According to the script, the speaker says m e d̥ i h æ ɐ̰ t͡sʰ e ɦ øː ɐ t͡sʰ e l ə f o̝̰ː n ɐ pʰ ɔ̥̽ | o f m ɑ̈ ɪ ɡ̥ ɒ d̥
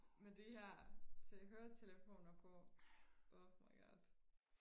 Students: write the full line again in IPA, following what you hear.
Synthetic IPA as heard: m e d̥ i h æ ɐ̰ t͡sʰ e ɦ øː ɐ t͡sʰ e l ə f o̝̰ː n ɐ pʰ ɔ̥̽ | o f m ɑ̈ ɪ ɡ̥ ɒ d̥